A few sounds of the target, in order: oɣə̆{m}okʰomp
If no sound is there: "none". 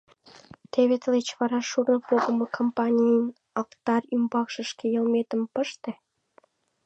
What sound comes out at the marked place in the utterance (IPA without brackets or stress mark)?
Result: m